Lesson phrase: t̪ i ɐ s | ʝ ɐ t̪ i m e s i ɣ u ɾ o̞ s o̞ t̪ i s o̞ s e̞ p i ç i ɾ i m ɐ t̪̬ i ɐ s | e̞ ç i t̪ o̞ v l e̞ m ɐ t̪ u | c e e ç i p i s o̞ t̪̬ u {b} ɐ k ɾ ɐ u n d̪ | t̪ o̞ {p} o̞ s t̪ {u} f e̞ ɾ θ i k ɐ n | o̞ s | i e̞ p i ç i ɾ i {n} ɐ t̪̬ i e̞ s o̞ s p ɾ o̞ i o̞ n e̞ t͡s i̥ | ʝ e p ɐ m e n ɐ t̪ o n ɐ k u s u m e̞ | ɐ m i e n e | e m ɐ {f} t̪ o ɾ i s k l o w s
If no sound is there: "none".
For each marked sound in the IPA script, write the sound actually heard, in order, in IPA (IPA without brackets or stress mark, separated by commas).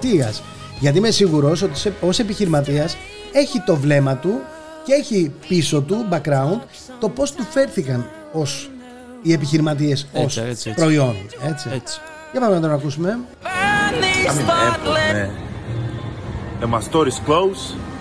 b, p, u, m, s